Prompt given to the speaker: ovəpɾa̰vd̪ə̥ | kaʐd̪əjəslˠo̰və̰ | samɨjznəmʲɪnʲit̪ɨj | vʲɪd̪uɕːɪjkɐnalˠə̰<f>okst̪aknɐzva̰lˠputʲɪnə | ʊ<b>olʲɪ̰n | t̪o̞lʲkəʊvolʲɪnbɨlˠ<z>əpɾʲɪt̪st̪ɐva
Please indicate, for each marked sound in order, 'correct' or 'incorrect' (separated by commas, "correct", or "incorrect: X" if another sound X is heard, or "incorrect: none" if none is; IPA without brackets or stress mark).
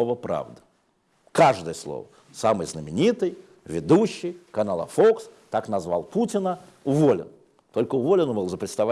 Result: correct, incorrect: v, correct